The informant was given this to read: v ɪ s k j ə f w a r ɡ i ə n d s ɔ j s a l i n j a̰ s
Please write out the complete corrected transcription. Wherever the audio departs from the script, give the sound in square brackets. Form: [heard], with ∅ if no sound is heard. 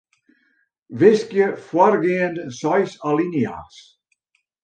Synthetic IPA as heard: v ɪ s k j ə f w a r ɡ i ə n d s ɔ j s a l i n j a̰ s